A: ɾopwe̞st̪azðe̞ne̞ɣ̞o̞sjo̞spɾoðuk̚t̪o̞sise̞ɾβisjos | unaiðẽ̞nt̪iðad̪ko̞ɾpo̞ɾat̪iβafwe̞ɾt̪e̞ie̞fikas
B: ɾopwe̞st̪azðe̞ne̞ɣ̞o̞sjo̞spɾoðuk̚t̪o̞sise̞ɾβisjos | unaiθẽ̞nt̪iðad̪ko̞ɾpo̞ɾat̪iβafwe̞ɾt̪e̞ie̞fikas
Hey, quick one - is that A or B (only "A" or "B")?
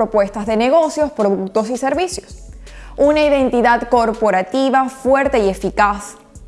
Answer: A